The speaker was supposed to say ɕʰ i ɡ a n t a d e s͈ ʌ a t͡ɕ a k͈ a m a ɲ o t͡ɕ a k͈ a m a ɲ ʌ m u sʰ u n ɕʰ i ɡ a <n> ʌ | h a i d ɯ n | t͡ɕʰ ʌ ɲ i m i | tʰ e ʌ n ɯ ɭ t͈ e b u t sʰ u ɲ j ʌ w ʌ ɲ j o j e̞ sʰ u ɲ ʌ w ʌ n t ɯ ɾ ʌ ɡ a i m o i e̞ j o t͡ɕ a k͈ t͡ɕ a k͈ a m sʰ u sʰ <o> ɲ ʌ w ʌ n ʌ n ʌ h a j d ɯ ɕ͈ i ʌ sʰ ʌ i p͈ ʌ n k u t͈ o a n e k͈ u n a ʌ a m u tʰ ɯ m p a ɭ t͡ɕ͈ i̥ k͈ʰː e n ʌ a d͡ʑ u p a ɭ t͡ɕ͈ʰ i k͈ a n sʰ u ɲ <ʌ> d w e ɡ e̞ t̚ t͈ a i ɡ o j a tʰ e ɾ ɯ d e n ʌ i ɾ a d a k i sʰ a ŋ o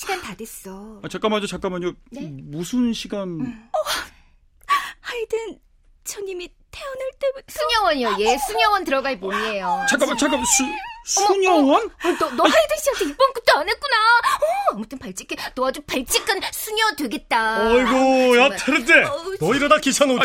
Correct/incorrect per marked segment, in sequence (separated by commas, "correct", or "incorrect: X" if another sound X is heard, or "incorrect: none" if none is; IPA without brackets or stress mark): correct, incorrect: u, correct